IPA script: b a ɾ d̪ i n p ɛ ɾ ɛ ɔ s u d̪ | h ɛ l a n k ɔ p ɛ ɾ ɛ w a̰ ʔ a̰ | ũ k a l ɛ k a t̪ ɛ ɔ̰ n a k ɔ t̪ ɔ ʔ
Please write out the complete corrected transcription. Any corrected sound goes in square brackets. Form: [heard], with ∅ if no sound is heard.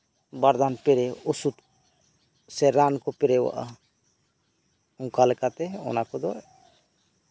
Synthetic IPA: b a ɾ d̪ [a] n p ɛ ɾ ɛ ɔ s u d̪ | [s] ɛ [ɾ] a n k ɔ p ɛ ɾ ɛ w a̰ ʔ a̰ | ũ k a l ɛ k a t̪ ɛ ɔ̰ n a k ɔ [d̪] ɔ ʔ